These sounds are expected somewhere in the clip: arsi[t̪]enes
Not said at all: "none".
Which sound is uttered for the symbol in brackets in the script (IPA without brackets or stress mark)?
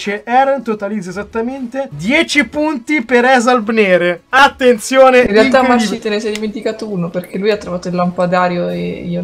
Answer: t̪